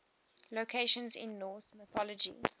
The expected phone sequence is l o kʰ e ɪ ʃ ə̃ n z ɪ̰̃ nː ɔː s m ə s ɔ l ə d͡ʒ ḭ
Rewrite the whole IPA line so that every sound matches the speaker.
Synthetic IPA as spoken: l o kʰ e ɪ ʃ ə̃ n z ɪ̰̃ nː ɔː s m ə θ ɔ l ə d͡ʒ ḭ